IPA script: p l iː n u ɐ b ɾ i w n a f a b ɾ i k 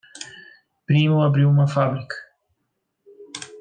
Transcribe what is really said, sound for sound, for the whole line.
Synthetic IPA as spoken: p ɾ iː m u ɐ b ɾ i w m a f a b ɾ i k